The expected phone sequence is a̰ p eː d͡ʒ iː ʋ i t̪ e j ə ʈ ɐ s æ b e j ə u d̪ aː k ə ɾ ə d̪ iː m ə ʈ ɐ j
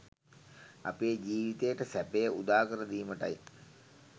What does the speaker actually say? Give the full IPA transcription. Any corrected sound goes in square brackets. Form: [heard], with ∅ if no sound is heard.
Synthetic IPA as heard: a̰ p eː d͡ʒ iː ʋ i t̪ e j ə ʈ [ə] s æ [p] e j ə u d̪ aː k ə ɾ ə d̪ iː m ə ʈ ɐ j

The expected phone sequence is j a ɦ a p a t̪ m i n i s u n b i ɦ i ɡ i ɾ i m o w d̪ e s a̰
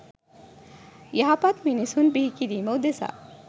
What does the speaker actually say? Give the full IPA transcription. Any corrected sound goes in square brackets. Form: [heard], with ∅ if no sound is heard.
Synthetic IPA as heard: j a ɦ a p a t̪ m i n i s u n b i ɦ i [k] i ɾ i m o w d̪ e s a̰

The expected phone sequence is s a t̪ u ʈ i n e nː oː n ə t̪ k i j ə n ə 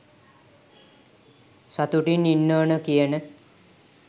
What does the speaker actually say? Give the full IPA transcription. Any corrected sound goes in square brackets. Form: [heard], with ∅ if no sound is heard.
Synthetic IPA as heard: s a t̪ u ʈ i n [i] nː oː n ə [∅] k i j ə n ə

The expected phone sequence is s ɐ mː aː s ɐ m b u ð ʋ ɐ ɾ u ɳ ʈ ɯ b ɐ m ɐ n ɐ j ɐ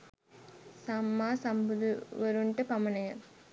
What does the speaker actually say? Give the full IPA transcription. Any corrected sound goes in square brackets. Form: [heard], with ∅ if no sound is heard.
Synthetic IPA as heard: s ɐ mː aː s ɐ m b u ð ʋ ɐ ɾ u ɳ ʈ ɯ [p] ɐ m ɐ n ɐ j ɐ

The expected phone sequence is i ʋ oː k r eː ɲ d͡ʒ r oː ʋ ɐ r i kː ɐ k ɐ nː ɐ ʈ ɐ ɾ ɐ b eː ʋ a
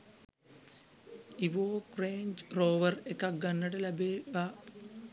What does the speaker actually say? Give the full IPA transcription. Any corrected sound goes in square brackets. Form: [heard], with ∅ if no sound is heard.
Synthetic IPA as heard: i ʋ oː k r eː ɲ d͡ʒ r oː ʋ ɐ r [e] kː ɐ [ɡ] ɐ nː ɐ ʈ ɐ [l] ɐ b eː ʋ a

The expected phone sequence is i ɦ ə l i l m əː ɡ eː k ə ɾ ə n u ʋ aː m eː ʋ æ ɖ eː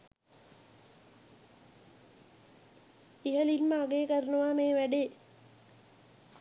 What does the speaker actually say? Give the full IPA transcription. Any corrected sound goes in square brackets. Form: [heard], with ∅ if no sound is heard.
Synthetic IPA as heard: i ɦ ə l i l m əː ɡ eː k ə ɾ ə n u ʋ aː m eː ʋ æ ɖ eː

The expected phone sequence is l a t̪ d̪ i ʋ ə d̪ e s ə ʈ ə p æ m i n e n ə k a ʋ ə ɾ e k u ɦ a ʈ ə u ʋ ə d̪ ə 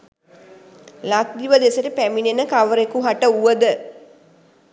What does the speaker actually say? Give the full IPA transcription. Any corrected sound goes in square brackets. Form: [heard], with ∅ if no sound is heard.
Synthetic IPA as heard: l a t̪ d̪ i ʋ ə d̪ e s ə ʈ ə p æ m i n e n ə k a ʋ ə ɾ e k u ɦ a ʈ ə u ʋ ə d̪ ə

